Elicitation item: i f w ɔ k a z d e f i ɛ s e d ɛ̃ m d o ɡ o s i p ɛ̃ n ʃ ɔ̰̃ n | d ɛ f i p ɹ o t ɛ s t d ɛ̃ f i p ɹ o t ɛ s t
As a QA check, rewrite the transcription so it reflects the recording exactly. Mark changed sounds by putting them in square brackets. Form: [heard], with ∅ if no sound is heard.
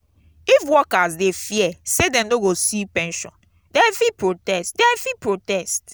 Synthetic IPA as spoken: i f w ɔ k a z d e f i ɛ s e d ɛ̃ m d o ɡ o s i p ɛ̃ n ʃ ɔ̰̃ n | d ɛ f i p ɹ o t ɛ s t d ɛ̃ f i p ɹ o t ɛ s t